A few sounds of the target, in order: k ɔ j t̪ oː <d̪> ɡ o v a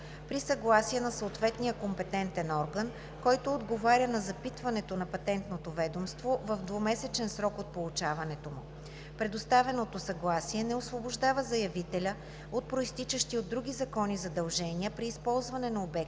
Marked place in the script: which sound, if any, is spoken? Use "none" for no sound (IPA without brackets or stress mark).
d̪